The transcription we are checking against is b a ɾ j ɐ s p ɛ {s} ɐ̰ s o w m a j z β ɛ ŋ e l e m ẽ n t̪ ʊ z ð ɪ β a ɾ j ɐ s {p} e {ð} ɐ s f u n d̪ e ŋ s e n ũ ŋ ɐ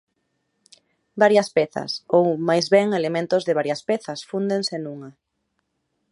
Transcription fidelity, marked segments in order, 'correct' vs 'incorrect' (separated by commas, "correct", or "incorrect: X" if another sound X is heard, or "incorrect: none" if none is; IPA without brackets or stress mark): incorrect: θ, correct, incorrect: θ